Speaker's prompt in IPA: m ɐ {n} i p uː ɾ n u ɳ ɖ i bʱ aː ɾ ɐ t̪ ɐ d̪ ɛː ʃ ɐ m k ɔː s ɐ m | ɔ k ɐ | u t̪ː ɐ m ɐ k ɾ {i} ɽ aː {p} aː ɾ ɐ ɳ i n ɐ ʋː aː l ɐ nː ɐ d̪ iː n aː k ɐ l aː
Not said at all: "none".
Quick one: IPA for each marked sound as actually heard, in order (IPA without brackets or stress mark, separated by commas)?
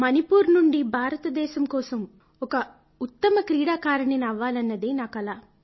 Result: n, iː, k